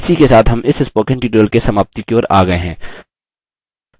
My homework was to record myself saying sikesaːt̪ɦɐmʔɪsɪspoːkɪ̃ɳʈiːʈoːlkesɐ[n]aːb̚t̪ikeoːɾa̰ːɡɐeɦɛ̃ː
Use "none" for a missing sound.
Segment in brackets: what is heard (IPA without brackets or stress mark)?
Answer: m